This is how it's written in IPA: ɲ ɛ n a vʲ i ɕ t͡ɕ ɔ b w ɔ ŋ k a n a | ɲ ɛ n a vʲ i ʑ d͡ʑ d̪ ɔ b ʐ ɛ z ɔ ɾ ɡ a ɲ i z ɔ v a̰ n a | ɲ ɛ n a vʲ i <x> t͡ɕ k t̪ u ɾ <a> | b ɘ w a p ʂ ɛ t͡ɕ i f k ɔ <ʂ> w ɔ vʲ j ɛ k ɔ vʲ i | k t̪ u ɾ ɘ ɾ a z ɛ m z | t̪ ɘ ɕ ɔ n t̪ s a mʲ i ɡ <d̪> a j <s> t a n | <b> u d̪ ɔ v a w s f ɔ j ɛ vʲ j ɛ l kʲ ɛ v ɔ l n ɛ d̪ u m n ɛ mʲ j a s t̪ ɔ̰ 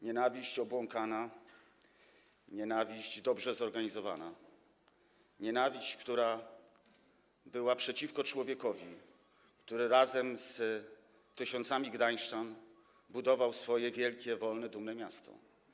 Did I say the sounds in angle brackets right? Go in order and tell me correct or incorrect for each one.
incorrect: ɕ, correct, incorrect: t͡ʂ, correct, incorrect: ʂ, correct

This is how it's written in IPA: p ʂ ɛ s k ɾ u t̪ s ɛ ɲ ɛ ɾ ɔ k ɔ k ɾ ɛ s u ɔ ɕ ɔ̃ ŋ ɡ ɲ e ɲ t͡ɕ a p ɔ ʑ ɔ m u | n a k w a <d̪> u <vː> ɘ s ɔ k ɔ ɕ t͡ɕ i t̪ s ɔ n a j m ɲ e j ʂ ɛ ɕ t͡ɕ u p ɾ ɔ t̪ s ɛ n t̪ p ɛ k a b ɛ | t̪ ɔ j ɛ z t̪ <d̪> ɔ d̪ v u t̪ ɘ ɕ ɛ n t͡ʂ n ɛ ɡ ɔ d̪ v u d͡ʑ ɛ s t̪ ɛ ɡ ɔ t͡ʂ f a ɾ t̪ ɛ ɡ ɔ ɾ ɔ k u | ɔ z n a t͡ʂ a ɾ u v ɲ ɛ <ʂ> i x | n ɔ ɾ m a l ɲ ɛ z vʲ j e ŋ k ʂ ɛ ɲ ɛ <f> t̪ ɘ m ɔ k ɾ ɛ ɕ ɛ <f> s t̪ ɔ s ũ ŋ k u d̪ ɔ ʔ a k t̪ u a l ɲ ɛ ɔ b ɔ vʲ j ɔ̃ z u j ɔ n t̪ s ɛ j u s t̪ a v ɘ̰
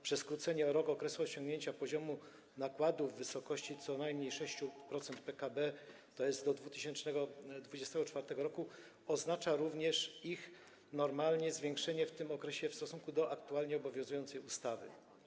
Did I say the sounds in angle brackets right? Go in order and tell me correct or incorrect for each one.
correct, correct, correct, correct, correct, correct

